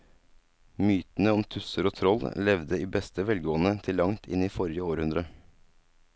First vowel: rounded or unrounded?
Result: rounded